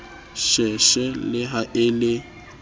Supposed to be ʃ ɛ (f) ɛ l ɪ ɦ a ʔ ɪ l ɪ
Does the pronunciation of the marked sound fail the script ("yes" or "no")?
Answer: yes